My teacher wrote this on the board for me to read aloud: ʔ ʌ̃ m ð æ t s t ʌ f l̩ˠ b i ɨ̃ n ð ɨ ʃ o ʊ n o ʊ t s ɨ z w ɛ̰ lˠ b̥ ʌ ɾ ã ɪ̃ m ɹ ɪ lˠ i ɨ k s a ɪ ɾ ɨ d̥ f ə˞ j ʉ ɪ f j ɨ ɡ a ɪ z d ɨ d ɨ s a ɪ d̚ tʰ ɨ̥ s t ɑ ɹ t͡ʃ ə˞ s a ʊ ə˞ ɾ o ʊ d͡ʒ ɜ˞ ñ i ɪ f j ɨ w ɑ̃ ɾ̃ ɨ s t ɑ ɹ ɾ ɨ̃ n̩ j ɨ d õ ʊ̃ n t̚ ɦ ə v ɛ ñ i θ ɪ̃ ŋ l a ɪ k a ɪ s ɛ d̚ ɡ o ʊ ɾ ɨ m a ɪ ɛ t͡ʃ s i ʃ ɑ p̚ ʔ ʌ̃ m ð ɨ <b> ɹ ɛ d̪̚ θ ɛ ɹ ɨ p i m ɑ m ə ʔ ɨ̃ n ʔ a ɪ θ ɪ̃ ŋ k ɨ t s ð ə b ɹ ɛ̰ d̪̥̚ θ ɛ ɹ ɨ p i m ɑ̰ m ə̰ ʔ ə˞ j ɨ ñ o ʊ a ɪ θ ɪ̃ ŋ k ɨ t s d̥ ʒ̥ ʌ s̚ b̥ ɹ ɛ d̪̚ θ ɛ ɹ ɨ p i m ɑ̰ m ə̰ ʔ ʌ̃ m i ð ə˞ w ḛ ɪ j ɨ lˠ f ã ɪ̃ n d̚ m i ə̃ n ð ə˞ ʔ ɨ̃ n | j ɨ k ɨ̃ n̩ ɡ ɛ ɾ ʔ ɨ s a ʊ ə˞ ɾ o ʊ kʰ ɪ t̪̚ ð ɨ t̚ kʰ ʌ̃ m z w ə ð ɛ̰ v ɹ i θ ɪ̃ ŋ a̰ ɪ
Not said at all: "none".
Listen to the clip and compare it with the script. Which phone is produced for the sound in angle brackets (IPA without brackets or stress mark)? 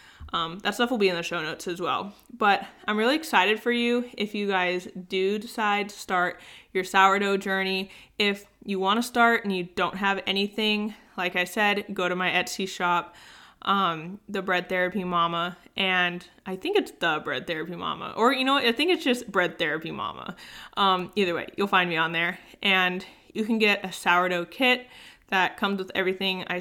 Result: b